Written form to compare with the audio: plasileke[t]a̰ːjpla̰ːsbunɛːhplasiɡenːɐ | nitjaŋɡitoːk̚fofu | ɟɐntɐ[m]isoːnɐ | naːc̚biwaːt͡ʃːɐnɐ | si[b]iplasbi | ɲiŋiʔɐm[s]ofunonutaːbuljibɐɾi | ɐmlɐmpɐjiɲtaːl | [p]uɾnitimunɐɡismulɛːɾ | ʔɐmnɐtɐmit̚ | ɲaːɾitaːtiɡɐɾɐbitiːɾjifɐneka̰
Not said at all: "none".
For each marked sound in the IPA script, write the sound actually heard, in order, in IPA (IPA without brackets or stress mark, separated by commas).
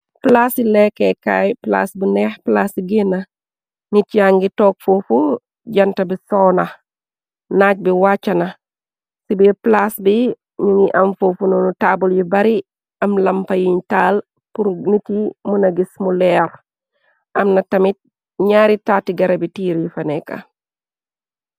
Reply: k, b, b, f, p